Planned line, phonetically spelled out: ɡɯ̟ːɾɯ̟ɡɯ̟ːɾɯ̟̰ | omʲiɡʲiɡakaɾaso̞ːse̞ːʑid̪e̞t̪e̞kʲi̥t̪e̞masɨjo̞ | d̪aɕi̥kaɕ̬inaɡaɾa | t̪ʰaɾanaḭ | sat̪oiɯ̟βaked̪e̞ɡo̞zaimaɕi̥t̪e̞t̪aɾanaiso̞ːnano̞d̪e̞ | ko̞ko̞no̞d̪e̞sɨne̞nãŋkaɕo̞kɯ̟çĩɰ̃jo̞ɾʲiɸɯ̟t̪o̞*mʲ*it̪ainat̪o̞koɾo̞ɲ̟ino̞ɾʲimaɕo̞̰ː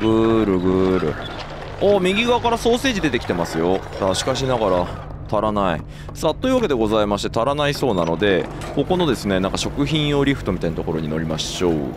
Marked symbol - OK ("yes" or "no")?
yes